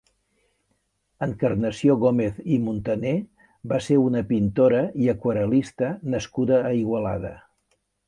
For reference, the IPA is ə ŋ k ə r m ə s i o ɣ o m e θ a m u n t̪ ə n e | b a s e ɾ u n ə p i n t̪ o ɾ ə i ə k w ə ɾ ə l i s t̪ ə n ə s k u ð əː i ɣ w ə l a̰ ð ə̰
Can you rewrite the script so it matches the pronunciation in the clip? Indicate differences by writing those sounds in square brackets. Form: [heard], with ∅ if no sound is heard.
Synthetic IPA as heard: ə ŋ k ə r [n] ə s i o ɣ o m e θ [i] m u n t̪ ə n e | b a s e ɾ u n ə p i n t̪ o ɾ ə i ə k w ə ɾ ə l i s t̪ ə n ə s k u ð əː i ɣ w ə l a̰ ð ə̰